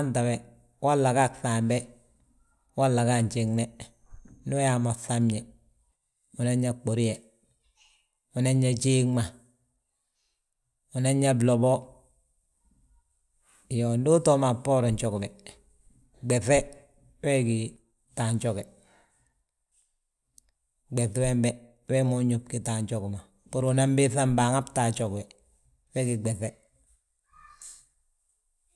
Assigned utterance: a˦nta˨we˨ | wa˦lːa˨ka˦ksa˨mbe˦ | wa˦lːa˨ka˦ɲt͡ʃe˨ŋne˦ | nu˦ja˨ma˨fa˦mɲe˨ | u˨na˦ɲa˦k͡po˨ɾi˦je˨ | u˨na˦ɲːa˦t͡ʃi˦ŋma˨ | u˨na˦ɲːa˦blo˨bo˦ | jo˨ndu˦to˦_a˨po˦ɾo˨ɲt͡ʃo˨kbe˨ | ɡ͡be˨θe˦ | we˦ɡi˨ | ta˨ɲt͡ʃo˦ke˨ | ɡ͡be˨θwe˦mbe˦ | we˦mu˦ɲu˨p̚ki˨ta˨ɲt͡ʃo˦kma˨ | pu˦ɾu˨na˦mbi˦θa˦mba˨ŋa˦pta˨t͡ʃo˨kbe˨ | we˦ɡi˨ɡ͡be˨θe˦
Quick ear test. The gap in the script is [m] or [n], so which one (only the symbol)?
m